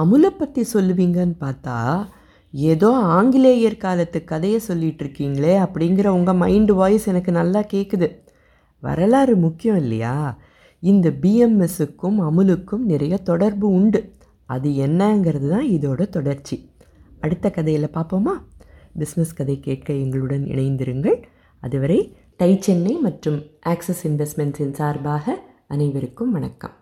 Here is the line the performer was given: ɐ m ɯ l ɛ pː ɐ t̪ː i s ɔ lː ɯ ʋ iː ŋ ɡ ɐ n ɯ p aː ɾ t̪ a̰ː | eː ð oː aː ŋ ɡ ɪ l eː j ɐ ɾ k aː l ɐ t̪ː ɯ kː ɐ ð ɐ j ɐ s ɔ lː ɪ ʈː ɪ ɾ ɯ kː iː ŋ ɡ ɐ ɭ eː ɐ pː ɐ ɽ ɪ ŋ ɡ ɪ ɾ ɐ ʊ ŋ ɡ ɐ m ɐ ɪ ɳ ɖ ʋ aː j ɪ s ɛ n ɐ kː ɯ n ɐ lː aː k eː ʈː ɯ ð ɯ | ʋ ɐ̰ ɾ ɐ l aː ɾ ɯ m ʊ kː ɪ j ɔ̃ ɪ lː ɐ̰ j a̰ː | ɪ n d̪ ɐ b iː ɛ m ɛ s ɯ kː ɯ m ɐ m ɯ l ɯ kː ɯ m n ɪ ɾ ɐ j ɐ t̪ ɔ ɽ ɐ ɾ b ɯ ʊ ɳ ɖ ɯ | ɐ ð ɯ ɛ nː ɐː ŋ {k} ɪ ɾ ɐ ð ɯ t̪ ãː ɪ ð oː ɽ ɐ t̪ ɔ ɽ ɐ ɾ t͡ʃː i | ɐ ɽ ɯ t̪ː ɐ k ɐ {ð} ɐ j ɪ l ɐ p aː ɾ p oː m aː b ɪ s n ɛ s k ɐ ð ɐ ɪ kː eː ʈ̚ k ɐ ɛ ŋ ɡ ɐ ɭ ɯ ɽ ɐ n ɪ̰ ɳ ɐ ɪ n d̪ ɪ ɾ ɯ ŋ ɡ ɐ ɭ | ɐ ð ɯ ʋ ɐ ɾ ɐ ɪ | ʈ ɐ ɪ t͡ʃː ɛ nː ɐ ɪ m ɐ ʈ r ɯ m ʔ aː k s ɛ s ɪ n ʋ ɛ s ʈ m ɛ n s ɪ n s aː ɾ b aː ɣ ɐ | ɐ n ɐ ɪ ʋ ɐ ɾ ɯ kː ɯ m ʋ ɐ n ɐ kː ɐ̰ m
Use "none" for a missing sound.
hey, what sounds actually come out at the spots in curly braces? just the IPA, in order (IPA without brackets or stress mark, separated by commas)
ɡ, ð